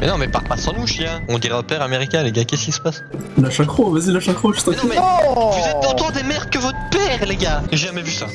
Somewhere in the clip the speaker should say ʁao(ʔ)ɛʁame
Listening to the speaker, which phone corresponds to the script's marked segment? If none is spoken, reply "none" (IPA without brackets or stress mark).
p